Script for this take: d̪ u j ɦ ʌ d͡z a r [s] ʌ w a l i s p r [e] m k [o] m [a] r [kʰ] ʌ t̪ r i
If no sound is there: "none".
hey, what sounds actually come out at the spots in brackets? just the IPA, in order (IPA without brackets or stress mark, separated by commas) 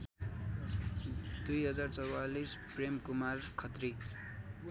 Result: t͡s, e, u, a, kʰ